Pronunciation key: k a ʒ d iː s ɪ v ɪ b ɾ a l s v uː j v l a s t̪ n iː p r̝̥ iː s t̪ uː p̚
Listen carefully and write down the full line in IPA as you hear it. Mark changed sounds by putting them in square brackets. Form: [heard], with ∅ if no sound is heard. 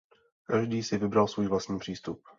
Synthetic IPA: k a ʒ d iː s ɪ v ɪ b ɾ a l s v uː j v l a s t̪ [ɲ] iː p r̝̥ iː s t̪ [u] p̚